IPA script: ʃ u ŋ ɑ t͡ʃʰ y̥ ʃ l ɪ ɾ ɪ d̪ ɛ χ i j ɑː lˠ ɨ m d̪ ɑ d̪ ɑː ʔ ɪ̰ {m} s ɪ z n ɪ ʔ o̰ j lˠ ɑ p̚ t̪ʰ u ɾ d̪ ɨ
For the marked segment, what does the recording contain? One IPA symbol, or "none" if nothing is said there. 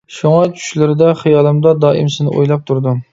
m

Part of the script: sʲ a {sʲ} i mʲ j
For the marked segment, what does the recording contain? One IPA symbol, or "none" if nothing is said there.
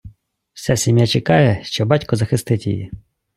sʲ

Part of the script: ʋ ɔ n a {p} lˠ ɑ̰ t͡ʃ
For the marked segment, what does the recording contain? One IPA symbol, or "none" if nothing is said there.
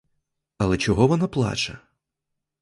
p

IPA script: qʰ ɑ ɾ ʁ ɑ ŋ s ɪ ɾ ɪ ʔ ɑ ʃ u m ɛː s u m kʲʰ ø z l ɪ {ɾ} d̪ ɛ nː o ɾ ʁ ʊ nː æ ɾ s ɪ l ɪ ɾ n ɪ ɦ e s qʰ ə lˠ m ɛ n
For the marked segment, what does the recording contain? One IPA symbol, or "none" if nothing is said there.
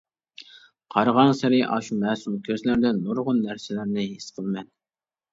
ɾ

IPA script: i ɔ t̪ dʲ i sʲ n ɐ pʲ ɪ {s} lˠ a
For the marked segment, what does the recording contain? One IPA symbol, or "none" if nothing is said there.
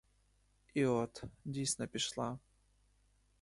ʂ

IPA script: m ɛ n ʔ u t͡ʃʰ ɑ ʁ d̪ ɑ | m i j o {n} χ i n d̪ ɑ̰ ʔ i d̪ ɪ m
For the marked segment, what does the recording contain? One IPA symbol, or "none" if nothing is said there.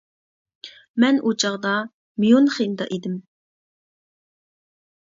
n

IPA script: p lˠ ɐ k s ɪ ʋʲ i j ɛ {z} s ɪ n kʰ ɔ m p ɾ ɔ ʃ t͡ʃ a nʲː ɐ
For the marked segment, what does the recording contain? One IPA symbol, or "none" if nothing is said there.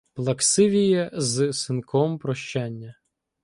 z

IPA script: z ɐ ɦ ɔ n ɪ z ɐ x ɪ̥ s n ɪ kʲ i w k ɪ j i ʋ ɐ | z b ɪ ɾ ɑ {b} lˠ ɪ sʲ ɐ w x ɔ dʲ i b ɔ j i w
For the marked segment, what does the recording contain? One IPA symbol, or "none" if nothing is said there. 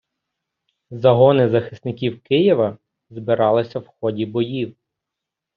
none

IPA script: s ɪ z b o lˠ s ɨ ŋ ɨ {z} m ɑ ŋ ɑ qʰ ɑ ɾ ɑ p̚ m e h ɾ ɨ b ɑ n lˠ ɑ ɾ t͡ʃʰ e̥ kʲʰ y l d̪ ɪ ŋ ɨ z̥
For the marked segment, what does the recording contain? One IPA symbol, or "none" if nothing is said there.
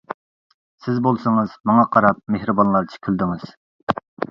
z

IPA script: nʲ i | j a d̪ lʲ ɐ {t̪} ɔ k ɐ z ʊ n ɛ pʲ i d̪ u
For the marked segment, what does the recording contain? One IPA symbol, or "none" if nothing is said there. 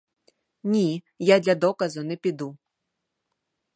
d̪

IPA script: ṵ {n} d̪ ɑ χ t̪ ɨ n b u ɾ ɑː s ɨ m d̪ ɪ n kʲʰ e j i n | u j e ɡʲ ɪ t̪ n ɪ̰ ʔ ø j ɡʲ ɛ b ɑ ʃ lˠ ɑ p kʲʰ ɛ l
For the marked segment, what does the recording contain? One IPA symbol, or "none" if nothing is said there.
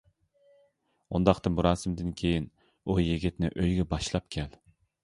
n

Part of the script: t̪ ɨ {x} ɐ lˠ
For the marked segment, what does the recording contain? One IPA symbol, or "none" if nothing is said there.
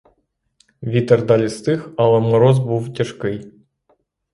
x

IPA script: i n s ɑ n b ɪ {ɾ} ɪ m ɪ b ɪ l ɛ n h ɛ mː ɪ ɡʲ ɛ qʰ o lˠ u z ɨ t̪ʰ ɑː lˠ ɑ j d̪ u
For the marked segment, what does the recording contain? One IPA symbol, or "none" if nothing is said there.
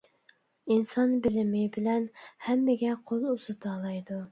l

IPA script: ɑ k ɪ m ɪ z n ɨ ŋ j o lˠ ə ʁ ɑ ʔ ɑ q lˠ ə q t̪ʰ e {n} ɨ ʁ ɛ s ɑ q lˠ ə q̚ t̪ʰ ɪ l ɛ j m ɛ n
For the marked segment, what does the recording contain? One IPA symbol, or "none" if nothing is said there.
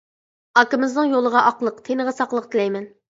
n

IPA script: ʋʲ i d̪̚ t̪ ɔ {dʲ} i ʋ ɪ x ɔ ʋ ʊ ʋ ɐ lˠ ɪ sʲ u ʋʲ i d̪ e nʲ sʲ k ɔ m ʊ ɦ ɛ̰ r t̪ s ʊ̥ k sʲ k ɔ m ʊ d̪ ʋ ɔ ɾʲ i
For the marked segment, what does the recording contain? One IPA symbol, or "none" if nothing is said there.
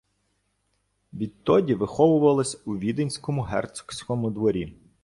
dʲ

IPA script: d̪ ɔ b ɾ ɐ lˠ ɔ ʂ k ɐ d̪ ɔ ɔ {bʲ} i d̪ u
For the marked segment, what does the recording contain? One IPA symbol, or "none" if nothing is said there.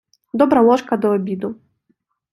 bʲ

